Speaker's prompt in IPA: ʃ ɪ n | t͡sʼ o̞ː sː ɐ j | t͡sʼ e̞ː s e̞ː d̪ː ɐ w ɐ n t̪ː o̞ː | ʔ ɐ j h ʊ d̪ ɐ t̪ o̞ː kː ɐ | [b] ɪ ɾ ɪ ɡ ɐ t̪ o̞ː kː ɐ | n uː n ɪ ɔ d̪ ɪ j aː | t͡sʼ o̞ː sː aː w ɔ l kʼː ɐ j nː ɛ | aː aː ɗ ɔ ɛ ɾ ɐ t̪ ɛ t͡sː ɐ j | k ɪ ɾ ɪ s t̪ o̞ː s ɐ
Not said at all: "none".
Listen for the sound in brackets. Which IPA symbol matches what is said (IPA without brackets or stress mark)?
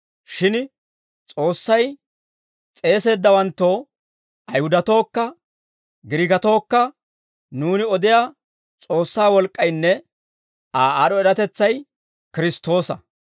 ɡ